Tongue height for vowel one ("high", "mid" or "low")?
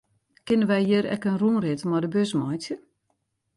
high